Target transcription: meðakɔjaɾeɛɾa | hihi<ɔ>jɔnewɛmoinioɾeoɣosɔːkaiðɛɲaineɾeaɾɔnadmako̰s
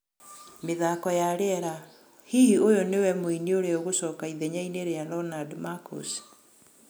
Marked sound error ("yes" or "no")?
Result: yes